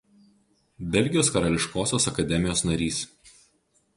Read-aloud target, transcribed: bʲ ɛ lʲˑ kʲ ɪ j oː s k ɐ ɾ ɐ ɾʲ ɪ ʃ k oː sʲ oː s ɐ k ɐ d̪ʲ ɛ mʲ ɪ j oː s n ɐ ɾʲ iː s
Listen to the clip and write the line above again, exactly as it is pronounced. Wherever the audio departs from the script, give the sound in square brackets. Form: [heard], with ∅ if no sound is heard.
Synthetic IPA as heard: bʲ ɛ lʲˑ [ɡʲ] ɪ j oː s k ɐ ɾ ɐ [lʲ] ɪ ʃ k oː sʲ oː s ɐ k ɐ d̪ʲ ɛ mʲ ɪ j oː s n ɐ ɾʲ iː s